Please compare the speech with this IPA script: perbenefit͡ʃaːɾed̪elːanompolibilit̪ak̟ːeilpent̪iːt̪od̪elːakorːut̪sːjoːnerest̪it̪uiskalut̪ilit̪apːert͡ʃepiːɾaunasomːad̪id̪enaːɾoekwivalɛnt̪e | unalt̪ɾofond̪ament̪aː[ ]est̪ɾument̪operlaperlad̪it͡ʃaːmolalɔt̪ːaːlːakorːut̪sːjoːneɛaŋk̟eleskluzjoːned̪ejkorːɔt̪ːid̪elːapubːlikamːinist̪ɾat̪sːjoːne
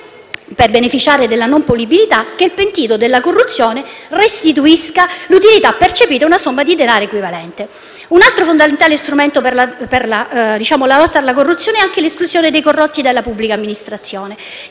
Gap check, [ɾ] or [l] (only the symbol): l